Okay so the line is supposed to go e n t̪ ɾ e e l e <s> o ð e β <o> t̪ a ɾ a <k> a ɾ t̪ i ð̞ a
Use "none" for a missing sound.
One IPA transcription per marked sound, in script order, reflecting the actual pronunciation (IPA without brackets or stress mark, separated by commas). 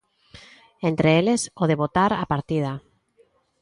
s, o, p